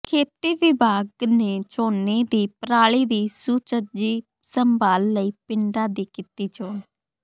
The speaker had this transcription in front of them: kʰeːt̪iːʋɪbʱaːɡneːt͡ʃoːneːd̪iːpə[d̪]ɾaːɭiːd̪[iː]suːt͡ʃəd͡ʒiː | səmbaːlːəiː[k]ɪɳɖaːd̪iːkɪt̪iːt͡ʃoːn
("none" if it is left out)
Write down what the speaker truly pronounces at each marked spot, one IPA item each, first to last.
none, iː, p

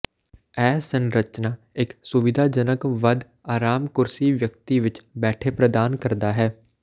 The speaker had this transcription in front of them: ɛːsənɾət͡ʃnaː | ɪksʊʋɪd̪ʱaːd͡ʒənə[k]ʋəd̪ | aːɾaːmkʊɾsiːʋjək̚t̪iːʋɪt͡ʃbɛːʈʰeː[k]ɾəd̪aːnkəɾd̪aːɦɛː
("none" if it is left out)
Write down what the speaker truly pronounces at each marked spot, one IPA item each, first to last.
k, p

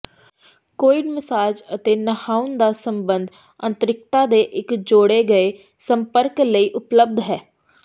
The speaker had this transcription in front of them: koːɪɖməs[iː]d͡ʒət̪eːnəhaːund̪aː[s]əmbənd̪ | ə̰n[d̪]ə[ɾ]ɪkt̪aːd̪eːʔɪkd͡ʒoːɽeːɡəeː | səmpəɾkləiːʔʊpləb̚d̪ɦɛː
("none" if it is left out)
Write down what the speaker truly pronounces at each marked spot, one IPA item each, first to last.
aː, s, t̪, ɾ

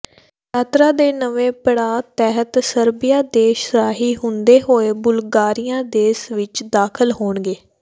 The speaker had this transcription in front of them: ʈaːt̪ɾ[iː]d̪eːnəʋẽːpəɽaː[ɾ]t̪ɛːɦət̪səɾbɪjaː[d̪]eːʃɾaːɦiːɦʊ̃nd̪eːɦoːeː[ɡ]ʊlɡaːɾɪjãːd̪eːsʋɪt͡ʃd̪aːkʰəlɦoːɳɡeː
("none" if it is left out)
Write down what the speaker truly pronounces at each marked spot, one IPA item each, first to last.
aː, none, d̪, b

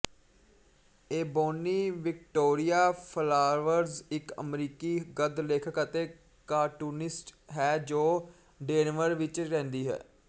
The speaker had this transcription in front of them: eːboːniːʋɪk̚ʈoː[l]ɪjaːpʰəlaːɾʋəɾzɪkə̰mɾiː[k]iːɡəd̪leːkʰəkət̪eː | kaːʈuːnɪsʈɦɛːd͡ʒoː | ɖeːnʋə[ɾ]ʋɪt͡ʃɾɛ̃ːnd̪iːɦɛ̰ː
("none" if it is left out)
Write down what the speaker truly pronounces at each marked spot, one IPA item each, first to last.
ɾ, k, ɾ

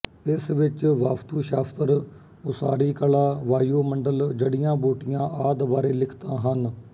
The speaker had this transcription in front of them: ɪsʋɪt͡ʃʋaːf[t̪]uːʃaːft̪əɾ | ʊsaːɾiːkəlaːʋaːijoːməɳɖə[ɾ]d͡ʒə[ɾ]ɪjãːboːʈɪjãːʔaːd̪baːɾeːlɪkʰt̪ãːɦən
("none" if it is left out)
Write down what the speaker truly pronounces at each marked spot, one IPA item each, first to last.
t̪, l, ɽ

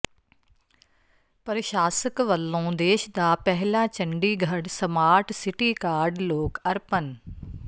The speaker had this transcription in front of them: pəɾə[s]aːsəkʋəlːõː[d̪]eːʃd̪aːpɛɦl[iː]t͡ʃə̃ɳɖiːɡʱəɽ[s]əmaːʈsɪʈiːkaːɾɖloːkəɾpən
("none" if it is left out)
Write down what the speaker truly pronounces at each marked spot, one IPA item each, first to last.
ʃ, d̪, aː, s

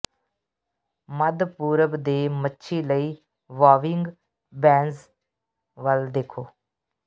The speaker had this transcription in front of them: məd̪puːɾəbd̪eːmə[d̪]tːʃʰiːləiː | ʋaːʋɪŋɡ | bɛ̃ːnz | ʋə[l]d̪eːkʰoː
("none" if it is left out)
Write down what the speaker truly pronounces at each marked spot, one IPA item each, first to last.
none, l

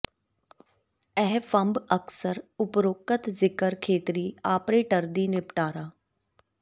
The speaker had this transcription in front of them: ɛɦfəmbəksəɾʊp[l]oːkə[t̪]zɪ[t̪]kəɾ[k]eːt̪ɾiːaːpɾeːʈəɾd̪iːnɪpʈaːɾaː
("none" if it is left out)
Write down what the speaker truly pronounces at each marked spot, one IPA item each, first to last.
ɾ, t̪, none, kʰ

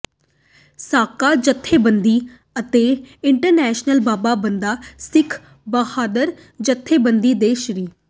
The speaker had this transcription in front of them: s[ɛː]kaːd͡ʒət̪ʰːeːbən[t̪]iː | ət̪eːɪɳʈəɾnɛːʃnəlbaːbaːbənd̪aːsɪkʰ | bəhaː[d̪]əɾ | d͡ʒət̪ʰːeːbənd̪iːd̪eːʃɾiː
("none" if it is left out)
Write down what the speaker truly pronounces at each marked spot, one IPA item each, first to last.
aː, d̪, d̪

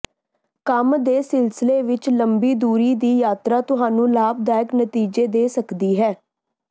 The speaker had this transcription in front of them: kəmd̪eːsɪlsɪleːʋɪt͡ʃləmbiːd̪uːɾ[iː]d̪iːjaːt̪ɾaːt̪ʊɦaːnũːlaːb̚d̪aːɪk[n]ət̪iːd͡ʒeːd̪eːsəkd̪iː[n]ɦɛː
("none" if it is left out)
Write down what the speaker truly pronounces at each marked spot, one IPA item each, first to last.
iː, n, none

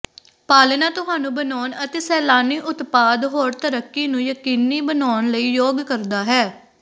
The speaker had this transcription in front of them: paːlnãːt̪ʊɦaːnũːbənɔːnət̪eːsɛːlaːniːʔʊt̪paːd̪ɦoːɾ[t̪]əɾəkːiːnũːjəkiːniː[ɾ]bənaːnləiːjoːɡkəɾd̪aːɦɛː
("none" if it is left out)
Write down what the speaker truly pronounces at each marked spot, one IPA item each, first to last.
t̪, none

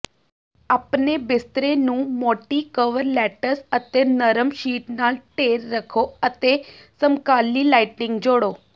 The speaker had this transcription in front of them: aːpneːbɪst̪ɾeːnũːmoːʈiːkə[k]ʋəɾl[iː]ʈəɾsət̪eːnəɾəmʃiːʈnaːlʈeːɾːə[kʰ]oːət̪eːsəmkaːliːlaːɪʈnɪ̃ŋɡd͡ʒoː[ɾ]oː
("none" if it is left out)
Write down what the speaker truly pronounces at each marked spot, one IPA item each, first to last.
none, ɛː, kʰ, ɽ

